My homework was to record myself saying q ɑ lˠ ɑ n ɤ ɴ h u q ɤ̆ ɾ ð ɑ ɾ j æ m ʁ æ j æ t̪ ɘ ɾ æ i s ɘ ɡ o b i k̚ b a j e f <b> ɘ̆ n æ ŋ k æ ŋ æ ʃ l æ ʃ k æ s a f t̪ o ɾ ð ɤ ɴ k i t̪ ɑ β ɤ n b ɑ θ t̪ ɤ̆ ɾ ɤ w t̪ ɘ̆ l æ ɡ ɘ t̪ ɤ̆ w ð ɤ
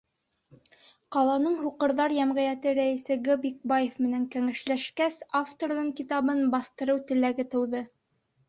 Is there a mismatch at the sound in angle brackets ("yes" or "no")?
yes